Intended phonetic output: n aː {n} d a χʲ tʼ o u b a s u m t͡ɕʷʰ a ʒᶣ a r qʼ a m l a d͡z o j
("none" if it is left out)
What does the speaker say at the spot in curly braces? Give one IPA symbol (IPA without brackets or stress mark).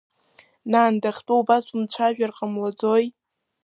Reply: n